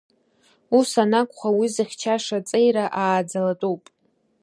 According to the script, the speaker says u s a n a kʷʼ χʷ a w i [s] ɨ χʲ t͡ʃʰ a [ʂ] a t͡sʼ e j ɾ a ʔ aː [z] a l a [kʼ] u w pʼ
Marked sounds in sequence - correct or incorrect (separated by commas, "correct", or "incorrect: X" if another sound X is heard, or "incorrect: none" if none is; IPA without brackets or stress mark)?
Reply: incorrect: z, correct, incorrect: d͡z, incorrect: tʼ